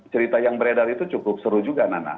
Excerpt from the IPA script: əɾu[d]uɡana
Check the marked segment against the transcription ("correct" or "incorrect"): incorrect